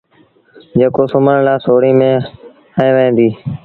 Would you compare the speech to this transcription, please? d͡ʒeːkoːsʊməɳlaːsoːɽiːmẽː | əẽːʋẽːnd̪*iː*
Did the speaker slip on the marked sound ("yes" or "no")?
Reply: no